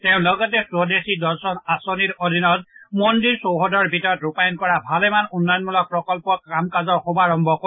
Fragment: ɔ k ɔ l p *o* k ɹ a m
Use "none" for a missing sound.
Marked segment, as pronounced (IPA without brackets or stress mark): ɔ